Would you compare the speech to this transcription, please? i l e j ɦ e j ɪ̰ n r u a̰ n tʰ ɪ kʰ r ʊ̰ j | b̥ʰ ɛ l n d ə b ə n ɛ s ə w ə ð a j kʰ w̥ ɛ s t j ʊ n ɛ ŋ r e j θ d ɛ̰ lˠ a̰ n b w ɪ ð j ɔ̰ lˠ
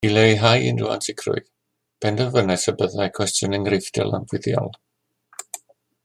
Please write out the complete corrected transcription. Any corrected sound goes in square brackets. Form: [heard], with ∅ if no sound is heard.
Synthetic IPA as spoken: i l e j ɦ [a] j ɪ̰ n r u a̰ n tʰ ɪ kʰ r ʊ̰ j | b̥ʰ ɛ [∅] n d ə [v] ə n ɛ s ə [b] ə ð a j kʰ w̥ ɛ s t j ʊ n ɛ ŋ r e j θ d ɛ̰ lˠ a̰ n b w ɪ ð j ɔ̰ lˠ

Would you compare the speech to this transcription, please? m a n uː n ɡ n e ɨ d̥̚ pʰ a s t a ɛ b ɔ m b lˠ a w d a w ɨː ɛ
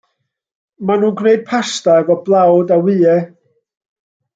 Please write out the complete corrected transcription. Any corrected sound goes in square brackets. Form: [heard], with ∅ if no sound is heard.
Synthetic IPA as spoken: m a n uː n ɡ n e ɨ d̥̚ pʰ a s t a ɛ [v] ɔ [∅] b lˠ a w d a w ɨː ɛ

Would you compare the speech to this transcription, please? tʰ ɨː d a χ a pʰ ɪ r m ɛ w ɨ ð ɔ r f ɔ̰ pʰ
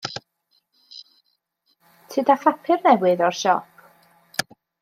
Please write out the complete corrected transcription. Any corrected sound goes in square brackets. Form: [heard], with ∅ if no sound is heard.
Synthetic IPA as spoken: tʰ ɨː d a [f] a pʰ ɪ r [n] ɛ w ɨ ð ɔ r [ʃ] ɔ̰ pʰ

